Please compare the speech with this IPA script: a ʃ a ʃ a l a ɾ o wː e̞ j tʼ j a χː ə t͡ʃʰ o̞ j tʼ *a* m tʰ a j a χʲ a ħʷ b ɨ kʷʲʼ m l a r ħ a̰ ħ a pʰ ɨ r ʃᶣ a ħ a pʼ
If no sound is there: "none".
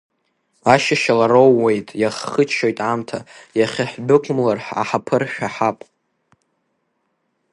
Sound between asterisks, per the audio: a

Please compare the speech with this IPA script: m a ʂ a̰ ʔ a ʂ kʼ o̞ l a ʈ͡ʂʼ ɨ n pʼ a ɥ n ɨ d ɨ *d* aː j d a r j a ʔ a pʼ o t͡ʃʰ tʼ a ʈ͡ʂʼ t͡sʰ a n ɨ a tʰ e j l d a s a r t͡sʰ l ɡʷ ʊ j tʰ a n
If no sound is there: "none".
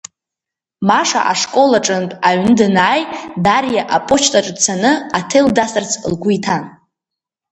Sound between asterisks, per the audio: n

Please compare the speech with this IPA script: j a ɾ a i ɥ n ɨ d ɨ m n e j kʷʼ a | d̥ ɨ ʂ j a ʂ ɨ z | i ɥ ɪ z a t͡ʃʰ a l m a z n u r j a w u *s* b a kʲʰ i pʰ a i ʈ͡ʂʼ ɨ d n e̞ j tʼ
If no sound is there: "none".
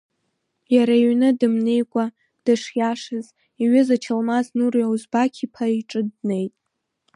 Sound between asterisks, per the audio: z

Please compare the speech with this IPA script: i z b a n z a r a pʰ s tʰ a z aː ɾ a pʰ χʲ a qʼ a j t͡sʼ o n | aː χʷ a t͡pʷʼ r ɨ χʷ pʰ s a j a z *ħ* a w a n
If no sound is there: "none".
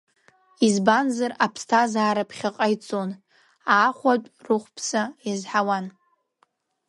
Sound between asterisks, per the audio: ħ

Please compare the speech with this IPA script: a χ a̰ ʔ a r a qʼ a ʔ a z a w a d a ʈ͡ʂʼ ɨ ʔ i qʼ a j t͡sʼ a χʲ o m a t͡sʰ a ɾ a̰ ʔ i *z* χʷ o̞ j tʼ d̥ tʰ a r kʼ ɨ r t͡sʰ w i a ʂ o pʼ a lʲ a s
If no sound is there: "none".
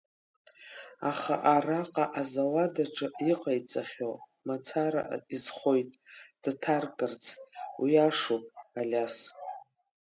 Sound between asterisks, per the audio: z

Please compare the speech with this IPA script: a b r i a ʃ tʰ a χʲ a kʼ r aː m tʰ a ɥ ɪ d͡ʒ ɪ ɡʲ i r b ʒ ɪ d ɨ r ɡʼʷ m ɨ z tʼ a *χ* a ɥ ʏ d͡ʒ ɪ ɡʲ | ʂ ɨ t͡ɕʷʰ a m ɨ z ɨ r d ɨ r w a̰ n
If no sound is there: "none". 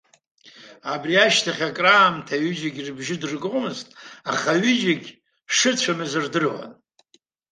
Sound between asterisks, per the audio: χ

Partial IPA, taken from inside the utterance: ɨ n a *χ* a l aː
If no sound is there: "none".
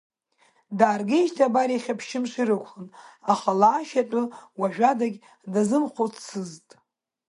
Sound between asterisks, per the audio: χ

